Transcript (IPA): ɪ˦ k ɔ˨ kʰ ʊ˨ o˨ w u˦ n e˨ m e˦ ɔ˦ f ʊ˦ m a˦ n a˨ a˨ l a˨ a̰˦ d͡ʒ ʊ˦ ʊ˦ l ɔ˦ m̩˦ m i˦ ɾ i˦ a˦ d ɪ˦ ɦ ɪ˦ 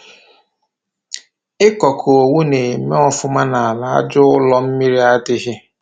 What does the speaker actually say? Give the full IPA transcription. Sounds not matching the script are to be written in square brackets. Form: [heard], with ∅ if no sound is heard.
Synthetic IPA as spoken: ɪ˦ k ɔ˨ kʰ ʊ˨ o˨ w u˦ n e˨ m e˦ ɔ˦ f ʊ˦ m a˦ n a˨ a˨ l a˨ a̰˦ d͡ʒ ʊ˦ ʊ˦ l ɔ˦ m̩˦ m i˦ ɾ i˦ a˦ d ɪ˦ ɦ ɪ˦